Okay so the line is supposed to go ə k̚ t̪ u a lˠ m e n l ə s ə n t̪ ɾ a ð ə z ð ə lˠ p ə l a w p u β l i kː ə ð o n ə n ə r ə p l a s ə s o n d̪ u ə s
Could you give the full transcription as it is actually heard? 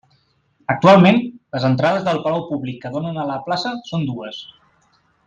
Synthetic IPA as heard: ə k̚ t̪ u a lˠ m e n l ə z ə n t̪ ɾ a ð ə z ð ə lˠ p ə l a w p u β l i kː ə ð o n ə n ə l ə p l a s ə s o n d̪ u ə s